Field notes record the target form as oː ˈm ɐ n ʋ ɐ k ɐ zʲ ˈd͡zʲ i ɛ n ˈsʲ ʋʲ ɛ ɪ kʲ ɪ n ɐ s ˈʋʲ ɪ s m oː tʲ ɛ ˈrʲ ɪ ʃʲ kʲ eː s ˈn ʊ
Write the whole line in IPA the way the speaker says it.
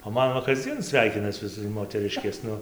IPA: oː ˈm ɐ n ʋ ɐ k ɐ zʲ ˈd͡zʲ i ɛ n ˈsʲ ʋʲ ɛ ɪ kʲ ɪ n ɐ s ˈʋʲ ɪ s m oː tʲ ɛ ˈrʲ ɪ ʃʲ kʲ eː s ˈn ʊ